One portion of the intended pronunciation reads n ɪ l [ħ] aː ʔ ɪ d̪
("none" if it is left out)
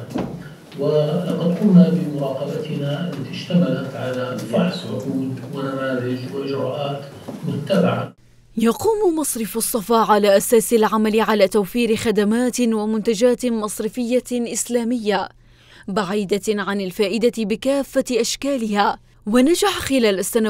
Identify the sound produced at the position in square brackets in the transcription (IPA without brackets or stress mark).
f